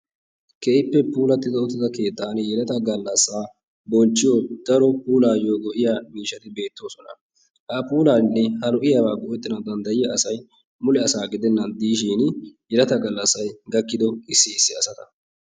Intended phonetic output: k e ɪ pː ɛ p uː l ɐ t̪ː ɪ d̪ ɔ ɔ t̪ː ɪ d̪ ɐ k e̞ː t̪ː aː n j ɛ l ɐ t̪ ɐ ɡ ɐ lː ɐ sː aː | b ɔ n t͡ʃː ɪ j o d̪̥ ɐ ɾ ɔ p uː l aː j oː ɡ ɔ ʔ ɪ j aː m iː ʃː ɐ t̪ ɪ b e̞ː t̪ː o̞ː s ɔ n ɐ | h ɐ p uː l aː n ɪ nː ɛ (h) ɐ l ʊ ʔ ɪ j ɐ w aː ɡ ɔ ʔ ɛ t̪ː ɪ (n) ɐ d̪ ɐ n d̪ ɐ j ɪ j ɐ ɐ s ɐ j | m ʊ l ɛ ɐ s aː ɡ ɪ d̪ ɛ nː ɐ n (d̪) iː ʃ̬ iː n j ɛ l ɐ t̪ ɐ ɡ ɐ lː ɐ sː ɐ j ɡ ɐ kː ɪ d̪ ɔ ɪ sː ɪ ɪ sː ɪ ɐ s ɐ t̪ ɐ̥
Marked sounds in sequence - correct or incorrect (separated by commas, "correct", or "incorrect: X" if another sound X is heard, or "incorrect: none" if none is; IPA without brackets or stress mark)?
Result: correct, correct, correct